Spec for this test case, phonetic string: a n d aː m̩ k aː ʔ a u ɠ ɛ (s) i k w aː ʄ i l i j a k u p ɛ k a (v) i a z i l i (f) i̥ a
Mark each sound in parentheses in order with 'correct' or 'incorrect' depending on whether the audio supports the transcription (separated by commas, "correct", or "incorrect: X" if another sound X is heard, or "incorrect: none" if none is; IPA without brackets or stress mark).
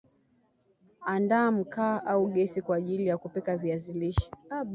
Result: correct, correct, incorrect: ʃ